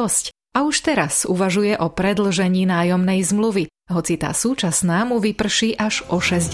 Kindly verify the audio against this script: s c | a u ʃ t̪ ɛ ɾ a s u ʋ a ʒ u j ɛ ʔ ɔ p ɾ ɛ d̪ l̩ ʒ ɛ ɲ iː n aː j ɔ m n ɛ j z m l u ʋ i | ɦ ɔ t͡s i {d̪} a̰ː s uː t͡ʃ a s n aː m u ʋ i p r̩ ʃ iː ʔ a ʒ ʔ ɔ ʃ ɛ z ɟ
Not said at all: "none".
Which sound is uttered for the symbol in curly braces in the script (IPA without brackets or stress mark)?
t̪